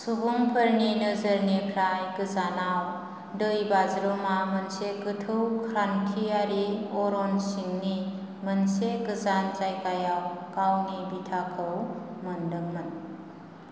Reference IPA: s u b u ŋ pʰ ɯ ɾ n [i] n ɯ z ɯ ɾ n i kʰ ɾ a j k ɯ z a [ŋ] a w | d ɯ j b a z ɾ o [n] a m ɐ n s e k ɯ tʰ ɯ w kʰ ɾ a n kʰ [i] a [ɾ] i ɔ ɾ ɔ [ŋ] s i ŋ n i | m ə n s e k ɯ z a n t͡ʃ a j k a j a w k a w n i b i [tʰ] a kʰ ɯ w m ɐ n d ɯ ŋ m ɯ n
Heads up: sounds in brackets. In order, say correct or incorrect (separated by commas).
correct, incorrect, incorrect, correct, correct, incorrect, correct